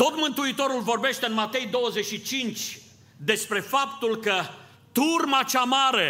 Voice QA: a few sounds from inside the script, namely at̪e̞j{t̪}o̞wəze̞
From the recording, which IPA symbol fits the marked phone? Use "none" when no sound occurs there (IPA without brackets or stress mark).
d̪